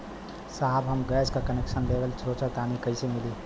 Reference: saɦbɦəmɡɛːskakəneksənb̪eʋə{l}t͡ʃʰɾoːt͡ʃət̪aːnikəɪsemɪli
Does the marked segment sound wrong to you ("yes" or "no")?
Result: no